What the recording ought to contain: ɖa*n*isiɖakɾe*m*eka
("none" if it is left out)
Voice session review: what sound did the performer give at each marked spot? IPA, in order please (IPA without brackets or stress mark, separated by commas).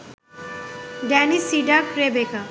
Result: n, b